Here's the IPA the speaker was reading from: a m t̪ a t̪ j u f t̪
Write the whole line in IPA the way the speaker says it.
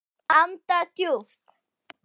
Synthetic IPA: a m t̪ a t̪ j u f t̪